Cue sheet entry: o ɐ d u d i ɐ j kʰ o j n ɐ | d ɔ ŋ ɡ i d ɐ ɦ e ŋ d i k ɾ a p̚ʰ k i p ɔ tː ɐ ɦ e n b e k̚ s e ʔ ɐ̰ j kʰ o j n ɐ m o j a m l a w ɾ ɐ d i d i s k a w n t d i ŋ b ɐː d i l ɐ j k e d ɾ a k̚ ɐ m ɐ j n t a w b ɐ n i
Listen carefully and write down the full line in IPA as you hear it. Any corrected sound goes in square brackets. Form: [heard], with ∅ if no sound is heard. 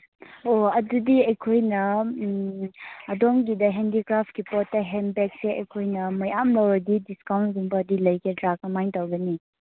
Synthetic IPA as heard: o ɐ d u d i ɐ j kʰ o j n ɐ | d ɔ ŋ ɡ i d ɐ ɦ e [n] d i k ɾ a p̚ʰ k i p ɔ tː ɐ ɦ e n b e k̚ s e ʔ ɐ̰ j kʰ o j n ɐ m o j a m l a w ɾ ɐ d i d i s k a w n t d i ŋ b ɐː d i l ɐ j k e d ɾ a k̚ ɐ m [a] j n t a w [ɡ] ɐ n i